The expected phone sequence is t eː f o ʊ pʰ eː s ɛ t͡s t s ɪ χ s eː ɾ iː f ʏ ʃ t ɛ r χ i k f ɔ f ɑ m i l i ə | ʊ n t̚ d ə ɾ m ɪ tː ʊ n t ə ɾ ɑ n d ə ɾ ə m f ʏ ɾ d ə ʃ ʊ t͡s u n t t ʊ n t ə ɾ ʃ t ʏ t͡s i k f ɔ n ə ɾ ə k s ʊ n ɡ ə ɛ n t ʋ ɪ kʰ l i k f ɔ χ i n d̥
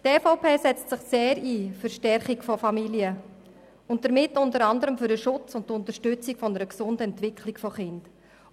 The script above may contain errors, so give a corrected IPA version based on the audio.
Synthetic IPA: t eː f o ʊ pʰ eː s ɛ t͡s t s ɪ χ s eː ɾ iː f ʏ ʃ t ɛ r χ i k f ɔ f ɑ m i l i ə | ʊ n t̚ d ə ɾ m ɪ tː ʊ n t ə ɾ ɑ n d ə ɾ ə m f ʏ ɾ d ə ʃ ʊ t͡s ʊ n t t ʊ n t ə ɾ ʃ t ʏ t͡s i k f ɔ n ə ɾ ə k s ʊ n d ə ɛ n t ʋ ɪ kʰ l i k f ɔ χ ɪ n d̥